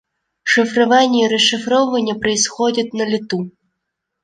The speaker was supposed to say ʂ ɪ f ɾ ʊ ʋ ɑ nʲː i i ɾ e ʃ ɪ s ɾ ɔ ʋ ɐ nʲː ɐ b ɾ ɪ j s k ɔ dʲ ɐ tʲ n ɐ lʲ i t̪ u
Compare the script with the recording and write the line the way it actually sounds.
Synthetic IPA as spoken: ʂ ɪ f ɾ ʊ ʋ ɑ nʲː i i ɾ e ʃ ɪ f ɾ ɔ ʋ ɐ nʲː ɐ p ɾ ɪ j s x ɔ dʲ ɐ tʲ n ɐ lʲ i t̪ u